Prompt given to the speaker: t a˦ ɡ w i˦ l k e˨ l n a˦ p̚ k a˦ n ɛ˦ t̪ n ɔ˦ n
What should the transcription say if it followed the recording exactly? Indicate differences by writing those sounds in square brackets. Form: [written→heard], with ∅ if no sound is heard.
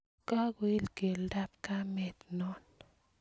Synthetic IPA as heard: [t→k] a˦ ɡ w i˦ l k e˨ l [n→d] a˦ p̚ k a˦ [n→m] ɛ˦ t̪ n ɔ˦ n